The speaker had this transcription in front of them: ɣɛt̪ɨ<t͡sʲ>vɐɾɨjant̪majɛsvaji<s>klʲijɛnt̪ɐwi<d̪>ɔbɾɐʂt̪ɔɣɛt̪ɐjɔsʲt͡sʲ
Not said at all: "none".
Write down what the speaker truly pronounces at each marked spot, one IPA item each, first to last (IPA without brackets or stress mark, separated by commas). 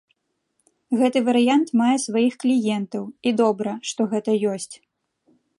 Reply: none, x, d̪